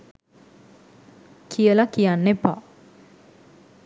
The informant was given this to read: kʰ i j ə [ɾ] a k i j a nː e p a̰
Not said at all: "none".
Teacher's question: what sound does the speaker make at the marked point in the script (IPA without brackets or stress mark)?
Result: l